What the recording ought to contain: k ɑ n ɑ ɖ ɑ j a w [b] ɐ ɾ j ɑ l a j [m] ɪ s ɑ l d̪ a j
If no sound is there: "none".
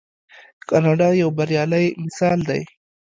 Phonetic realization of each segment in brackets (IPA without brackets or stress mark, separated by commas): b, m